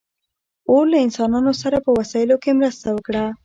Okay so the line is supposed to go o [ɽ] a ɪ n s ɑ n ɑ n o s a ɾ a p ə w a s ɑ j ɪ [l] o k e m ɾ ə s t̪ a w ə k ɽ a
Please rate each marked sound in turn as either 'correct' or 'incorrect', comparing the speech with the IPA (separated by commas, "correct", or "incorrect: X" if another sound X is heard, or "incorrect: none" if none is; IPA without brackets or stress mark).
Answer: incorrect: l, correct